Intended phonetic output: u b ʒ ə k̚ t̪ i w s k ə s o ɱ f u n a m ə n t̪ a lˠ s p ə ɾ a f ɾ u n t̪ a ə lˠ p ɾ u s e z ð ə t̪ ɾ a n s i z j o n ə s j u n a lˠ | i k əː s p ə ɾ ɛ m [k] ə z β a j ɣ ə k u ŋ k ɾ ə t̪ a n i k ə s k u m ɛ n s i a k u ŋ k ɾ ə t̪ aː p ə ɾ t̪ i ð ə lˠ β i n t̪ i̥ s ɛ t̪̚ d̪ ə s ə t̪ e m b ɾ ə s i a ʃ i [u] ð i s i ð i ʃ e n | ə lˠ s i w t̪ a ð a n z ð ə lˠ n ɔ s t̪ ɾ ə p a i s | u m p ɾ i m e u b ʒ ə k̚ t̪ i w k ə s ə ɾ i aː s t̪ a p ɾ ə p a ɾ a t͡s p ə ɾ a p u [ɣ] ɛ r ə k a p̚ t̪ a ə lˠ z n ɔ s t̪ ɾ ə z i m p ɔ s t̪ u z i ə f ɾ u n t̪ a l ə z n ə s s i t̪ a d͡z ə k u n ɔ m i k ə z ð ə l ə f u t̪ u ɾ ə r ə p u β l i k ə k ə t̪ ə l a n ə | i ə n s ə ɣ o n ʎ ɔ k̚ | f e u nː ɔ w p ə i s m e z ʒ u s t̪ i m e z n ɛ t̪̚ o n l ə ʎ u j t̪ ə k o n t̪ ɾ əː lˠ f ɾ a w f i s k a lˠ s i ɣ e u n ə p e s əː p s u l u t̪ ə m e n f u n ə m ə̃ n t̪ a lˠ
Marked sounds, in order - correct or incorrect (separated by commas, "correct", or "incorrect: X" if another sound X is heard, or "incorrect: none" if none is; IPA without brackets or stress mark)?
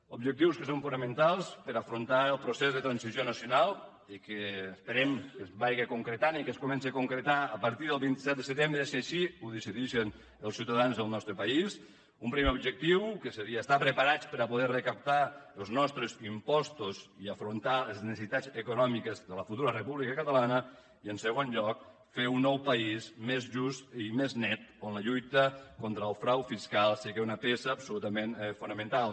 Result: correct, correct, incorrect: ð